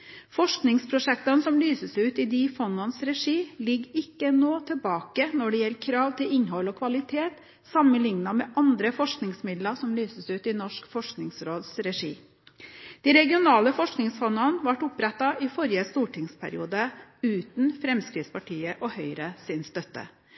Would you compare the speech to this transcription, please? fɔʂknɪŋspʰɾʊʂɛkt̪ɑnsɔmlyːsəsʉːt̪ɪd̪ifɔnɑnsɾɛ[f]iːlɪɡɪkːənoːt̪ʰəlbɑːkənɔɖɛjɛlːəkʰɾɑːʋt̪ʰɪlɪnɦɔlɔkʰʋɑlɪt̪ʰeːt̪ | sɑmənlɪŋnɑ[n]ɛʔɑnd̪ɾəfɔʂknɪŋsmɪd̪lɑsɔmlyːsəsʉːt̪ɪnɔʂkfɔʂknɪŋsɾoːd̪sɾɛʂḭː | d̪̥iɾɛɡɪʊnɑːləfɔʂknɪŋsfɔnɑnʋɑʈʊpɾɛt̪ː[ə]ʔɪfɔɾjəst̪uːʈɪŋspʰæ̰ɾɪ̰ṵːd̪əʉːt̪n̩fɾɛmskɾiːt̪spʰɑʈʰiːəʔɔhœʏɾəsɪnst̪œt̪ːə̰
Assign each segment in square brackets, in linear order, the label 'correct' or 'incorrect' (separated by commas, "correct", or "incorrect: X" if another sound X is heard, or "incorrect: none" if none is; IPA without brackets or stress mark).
incorrect: ʂ, incorrect: m, incorrect: ɑ